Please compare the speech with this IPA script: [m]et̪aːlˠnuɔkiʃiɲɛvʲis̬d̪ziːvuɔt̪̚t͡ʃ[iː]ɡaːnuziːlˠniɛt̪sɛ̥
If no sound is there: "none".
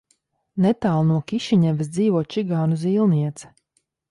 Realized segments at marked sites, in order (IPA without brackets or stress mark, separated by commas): n, i